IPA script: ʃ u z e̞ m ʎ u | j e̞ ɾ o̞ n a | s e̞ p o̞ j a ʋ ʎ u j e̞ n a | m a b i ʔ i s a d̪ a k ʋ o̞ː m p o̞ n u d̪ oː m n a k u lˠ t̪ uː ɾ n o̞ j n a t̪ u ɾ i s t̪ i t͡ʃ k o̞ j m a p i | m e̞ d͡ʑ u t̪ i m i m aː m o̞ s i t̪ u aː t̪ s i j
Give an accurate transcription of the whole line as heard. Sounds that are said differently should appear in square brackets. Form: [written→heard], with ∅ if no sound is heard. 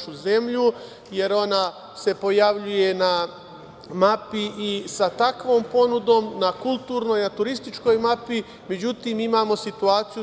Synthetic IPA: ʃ u z e̞ m ʎ u | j e̞ ɾ o̞ n a | s e̞ p o̞ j a ʋ ʎ u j e̞ n a | m a [b→p] i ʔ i s a [d̪→t̪] a k ʋ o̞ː m p o̞ n u d̪ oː m n a k u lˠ t̪ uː ɾ n o̞ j n a t̪ u ɾ i s t̪ i t͡ʃ k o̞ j m a p i | m e̞ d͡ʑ u t̪ i m i m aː m o̞ s i t̪ u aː t̪ s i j